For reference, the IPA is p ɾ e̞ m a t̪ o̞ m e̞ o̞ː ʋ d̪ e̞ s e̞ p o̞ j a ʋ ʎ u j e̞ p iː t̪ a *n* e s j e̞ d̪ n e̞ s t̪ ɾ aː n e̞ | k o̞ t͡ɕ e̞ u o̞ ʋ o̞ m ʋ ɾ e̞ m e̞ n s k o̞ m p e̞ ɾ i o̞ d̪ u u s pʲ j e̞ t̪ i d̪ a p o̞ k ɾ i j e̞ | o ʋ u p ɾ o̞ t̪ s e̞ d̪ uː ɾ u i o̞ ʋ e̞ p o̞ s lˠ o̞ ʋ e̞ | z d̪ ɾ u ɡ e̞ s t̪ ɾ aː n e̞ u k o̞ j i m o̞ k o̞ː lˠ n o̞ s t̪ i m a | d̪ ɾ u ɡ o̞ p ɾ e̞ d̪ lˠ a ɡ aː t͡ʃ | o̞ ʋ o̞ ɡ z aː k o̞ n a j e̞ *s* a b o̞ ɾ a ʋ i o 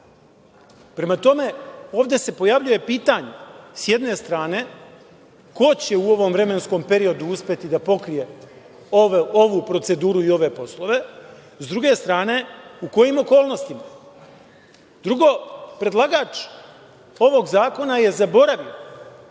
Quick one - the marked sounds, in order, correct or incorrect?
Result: incorrect: ɲ, incorrect: z

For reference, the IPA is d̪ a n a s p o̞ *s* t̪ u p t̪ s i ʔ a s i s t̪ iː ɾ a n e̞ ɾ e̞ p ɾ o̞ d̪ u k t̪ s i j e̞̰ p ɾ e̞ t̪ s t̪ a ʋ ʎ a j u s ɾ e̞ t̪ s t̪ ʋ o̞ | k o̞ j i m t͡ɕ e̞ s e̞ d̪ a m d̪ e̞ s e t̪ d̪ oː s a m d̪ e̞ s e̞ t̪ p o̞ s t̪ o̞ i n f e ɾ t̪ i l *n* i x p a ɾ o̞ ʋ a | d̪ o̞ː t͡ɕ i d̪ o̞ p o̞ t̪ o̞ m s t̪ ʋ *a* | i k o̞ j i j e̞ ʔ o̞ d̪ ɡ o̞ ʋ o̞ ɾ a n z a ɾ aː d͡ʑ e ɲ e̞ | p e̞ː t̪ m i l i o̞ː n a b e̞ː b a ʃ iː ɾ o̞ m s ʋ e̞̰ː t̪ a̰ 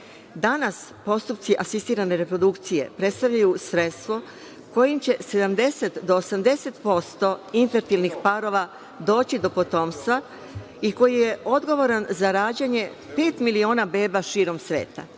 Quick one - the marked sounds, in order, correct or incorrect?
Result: correct, correct, correct

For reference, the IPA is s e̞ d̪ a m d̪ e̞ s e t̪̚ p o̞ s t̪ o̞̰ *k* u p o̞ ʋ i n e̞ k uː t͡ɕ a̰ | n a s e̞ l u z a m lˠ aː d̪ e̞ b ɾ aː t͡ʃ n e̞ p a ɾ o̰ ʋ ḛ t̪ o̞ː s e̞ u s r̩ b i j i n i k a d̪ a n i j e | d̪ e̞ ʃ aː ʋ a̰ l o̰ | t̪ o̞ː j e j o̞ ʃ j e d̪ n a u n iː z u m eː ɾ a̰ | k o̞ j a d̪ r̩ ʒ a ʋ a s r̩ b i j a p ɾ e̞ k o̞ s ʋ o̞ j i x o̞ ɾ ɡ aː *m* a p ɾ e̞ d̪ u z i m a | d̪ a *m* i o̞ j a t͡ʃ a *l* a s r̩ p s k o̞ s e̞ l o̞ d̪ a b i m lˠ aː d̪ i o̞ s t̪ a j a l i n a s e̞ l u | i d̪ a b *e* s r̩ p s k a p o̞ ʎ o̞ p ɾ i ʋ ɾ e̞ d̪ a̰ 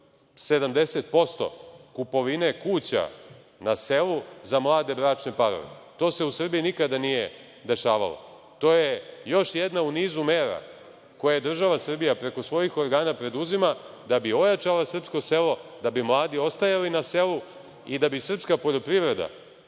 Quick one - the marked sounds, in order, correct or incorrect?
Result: correct, incorrect: n, incorrect: b, correct, incorrect: i

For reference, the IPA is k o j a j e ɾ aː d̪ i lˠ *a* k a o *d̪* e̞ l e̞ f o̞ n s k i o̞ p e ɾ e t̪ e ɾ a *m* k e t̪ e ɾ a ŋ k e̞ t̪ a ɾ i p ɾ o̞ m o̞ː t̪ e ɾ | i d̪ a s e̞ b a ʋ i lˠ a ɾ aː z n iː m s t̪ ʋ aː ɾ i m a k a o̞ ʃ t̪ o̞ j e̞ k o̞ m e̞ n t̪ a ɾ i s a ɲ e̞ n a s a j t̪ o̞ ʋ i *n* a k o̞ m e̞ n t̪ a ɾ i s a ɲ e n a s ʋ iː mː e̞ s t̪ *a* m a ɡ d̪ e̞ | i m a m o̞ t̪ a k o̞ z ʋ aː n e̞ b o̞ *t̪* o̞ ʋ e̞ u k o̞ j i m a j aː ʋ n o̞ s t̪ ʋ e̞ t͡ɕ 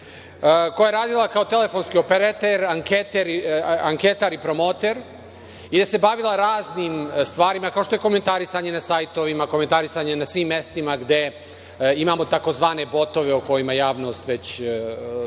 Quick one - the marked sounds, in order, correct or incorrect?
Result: correct, incorrect: t̪, incorrect: ŋ, incorrect: m, incorrect: i, correct

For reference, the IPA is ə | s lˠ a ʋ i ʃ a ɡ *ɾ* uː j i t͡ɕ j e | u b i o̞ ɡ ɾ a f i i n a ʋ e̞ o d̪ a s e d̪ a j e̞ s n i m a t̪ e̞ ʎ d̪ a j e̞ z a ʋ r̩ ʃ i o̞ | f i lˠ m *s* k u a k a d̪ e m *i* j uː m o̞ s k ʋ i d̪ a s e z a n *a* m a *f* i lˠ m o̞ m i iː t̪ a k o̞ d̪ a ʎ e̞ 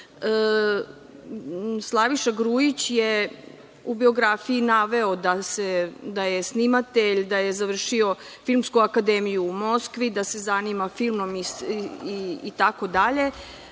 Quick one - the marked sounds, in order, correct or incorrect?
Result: correct, correct, correct, incorrect: i, correct

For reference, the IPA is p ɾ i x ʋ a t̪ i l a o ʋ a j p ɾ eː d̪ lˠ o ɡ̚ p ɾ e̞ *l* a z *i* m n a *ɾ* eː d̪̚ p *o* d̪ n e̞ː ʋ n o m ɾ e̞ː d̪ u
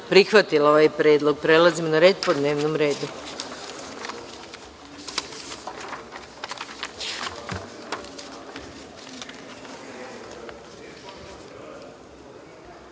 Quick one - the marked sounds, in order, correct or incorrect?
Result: correct, correct, correct, correct

